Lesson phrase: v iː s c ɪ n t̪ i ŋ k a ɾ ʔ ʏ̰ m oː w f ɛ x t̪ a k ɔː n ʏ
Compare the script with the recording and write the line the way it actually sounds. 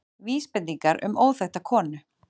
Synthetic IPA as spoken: v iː s p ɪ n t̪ i ŋ k a ɾ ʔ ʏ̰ m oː w θ ɛ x t̪ a kʰ ɔː n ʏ